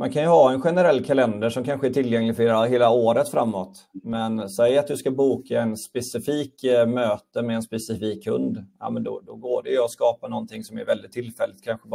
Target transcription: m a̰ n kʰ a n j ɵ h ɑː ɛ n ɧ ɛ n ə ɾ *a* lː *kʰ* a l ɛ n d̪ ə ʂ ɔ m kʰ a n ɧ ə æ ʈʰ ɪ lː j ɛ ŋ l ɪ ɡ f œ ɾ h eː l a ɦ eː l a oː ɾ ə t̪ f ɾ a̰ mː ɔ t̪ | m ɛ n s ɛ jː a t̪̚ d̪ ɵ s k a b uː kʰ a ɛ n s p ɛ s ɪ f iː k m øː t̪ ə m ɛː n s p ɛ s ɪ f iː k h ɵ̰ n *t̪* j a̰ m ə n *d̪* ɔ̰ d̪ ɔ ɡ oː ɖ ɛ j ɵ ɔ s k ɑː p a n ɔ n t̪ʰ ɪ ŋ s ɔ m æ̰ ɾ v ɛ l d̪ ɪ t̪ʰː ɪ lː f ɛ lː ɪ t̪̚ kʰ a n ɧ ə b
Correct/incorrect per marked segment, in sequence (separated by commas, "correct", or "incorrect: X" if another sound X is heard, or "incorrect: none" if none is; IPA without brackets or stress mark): incorrect: ɛ, correct, incorrect: d̪, correct